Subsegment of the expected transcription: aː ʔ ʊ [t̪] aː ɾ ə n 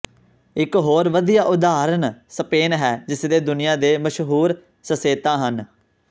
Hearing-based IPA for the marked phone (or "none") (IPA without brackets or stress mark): d̪